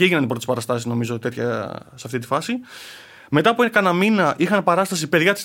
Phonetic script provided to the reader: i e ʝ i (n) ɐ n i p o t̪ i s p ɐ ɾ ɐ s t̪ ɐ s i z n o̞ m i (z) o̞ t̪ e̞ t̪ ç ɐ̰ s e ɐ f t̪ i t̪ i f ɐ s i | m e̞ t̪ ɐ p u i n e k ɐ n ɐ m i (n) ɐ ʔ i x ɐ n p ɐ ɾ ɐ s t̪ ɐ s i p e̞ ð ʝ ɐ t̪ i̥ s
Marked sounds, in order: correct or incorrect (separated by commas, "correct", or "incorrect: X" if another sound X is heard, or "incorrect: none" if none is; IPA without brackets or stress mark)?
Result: correct, correct, correct